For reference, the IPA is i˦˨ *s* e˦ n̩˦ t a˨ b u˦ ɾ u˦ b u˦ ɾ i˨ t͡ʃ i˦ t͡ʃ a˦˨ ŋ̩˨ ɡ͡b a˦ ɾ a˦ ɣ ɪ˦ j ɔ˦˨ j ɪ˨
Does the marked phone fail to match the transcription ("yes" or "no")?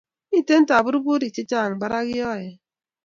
yes